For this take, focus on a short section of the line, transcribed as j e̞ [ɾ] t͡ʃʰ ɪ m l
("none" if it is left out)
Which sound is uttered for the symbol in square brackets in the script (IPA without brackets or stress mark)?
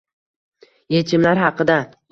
none